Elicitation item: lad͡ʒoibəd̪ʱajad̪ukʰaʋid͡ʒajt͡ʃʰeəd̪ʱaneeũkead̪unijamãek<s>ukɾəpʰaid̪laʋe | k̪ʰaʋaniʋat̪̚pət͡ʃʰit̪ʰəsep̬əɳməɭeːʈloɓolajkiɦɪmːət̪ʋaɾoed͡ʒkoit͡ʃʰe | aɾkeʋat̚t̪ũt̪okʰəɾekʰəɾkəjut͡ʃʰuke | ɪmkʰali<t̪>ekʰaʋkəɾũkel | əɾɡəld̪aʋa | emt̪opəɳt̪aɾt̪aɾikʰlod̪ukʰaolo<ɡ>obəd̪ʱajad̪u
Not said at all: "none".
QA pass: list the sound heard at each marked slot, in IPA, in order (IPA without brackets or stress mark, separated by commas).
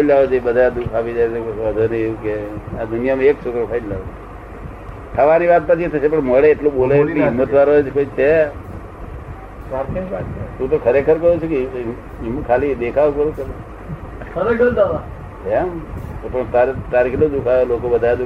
s, d̪, k